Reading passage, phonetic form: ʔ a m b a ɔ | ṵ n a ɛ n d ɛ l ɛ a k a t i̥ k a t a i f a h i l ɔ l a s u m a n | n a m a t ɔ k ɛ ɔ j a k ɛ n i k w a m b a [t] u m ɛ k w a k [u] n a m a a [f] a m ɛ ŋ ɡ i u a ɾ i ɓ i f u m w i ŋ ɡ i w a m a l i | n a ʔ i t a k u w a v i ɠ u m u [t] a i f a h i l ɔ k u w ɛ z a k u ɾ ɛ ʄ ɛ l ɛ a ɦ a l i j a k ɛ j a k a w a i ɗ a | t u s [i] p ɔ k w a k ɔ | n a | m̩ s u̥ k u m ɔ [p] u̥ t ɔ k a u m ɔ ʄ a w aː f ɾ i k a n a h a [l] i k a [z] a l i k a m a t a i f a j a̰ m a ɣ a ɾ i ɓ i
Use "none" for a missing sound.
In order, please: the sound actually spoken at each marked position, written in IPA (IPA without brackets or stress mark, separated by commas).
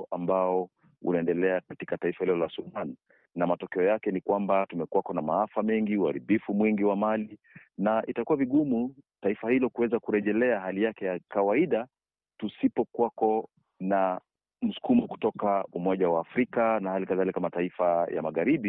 t, ɔ, f, t, i, k, l, ð